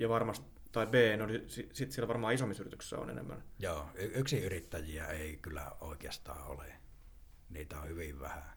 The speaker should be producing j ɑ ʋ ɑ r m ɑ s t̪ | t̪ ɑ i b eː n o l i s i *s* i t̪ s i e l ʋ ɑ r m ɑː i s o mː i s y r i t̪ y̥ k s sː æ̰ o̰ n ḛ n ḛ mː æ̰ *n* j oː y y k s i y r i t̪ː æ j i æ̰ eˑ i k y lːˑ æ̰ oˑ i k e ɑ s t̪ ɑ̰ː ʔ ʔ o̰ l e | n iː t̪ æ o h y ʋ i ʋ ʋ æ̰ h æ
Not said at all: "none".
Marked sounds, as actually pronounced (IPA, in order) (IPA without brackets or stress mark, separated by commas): s, n